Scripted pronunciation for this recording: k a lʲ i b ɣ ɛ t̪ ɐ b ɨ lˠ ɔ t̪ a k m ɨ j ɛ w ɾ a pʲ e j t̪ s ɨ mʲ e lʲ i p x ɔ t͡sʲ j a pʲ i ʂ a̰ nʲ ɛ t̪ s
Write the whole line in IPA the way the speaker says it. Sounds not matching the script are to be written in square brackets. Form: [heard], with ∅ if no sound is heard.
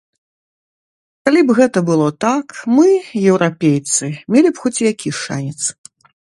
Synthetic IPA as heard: k a lʲ i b ɣ ɛ t̪ ɐ b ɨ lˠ ɔ t̪ a k m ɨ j ɛ w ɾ a pʲ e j t̪ s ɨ mʲ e lʲ i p x ɔ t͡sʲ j a [kʲ] i ʂ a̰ nʲ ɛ t̪ s